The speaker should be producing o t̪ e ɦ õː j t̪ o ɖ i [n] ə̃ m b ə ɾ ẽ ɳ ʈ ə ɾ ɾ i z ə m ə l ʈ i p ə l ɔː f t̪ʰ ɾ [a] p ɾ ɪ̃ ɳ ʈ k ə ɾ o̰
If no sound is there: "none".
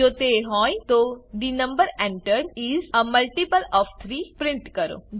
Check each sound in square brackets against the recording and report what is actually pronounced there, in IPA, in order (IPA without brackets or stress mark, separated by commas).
n, i